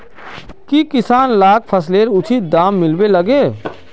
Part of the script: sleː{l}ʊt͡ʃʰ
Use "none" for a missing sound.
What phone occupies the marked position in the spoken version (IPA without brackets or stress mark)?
ɾ